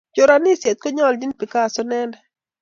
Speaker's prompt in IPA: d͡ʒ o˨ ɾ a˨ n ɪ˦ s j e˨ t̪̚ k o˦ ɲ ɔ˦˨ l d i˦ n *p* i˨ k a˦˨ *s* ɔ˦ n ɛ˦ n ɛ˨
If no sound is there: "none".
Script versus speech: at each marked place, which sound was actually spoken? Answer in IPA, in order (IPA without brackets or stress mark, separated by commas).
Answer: p, s